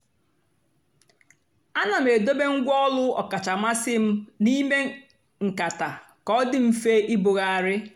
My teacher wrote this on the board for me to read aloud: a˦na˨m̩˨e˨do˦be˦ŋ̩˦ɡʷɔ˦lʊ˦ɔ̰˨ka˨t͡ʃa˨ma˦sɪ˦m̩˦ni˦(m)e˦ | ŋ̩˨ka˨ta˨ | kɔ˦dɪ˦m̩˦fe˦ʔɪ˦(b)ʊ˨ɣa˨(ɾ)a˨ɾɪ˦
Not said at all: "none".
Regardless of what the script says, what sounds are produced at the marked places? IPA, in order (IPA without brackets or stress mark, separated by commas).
m, b, none